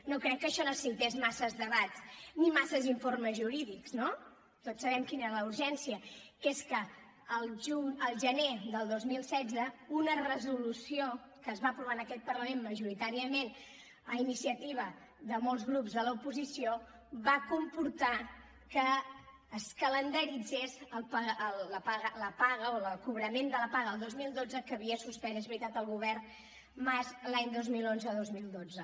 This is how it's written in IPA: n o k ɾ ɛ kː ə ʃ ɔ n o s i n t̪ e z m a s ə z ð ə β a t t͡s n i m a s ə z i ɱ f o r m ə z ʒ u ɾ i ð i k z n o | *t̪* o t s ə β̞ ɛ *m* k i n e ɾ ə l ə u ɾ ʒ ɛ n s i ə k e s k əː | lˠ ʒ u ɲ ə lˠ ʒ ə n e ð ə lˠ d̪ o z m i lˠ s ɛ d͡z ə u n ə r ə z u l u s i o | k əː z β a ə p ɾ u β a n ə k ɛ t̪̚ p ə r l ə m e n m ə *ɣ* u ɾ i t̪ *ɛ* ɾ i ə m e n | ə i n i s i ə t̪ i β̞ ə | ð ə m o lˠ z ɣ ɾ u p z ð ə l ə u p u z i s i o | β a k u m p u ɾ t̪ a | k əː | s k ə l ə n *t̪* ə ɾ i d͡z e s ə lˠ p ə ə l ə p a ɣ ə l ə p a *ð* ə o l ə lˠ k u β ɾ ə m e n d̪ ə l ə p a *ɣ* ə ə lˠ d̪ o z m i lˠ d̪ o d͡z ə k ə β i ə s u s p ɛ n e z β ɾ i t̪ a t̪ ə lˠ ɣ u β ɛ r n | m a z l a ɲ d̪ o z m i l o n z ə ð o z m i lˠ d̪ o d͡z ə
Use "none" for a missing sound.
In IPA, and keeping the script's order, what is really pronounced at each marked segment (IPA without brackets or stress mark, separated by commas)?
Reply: t̪, m, ʒ, a, d̪, ɣ, ɣ